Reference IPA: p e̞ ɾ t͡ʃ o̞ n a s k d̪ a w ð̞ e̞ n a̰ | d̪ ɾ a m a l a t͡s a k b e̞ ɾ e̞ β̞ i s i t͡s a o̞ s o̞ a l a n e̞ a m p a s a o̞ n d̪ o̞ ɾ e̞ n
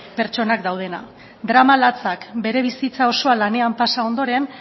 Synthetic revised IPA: p e̞ ɾ t͡ʃ o̞ n a k d̪ a w ð̞ e̞ n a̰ | d̪ ɾ a m a l a t͡s a k b e̞ ɾ e̞ β̞ i s i t͡s a o̞ s o̞ a l a n e̞ a m p a s a o̞ n d̪ o̞ ɾ e̞ n

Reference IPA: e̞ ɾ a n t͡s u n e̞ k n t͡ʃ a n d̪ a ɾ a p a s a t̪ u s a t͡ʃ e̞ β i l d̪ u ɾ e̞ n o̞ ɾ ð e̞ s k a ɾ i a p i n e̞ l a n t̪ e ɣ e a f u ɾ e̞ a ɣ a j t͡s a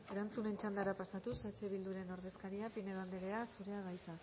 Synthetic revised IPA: e̞ ɾ a n t͡s u n e̞ n t͡ʃ a n d̪ a ɾ a p a s a t̪ u s a t͡ʃ e̞ β i l d̪ u ɾ e̞ n o̞ ɾ ð e̞ s k a ɾ i a p i n e̞ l a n d̪ e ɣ e a s u ɾ e̞ a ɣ a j t͡s a

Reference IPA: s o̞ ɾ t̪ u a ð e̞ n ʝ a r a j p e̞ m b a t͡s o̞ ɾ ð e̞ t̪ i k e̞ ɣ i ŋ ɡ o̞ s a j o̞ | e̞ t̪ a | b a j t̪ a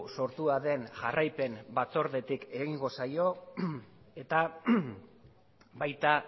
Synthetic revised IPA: s o̞ ɾ t̪ u a ð e̞ n ʝ a r a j p e̞ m b a t͡s o̞ ɾ ð e̞ t̪ i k e̞ ɣ i ŋ ɡ o̞ s a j o̞ | e̞ t̪ a | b a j t̪ a

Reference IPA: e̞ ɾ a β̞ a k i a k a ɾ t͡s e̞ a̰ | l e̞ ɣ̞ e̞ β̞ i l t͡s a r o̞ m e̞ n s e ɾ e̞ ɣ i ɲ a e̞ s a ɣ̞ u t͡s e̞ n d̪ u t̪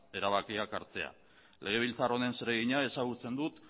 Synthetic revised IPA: e̞ ɾ a β̞ a k i a k a ɾ t͡s e̞ a̰ | l e̞ ɣ̞ e̞ β̞ i l t͡s a r o̞ n e̞ n s e ɾ e̞ ɣ i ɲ a e̞ s a ɣ̞ u t͡s e̞ n d̪ u t̪

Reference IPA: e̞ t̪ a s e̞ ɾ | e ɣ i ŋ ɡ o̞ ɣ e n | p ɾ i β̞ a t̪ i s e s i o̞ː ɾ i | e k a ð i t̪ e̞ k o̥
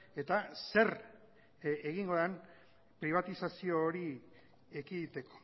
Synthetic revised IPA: e̞ t̪ a s e̞ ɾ | e ɣ i ŋ ɡ o̞ ð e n | p ɾ i β̞ a t̪ i s a s i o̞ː ɾ i | e k i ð i t̪ e̞ k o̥

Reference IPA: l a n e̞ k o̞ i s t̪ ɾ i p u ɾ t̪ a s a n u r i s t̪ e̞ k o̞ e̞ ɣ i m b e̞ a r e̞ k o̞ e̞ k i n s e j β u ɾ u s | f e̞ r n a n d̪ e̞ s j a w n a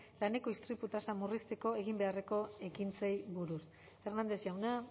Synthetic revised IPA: l a n e̞ k o̞ i s t̪ ɾ i p u t̪ a s a m u r i s t̪ e̞ k o̞ e̞ ɣ i m b e̞ a r e̞ k o̞ e̞ k i n t͡s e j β u ɾ u s | f e̞ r n a n d̪ e̞ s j a w n a

